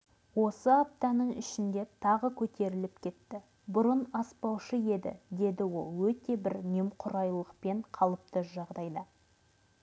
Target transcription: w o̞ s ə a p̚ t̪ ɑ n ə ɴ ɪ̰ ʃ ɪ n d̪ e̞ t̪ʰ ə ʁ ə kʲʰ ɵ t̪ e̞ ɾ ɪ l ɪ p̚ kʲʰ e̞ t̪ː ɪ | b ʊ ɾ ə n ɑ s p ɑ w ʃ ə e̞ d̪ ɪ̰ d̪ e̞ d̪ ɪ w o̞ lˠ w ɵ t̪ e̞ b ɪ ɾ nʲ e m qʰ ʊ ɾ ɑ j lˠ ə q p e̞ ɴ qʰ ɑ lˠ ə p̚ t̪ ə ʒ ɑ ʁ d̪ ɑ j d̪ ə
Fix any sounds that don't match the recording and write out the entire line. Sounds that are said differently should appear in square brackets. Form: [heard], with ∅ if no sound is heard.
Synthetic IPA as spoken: w o̞ s ə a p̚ t̪ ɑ n ə ɴ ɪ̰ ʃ ɪ n d̪ e̞ t̪ʰ [ɑ] ʁ ə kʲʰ ɵ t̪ e̞ ɾ ɪ l ɪ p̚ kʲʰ e̞ t̪ː ɪ | b ʊ ɾ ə n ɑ s p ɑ w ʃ ə e̞ d̪ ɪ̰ d̪ e̞ d̪ ɪ w o̞ lˠ w ɵ t̪ e̞ b ɪ ɾ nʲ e m qʰ ʊ ɾ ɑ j lˠ ə q p e̞ ɴ qʰ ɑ lˠ ə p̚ t̪ ə ʒ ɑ ʁ d̪ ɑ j d̪ ə